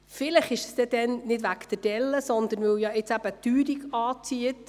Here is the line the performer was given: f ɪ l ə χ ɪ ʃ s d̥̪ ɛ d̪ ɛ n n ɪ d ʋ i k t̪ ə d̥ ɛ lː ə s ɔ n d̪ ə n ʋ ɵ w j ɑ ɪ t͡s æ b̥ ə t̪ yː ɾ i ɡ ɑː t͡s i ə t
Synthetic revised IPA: f ɪ l ə χ ɪ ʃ s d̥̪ ɛ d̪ ɛ n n ɪ d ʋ æ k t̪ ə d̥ ɛ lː ə s ɔ n d̪ ə n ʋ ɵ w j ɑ ɪ t͡s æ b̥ ə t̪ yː ɾ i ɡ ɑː t͡s i ə t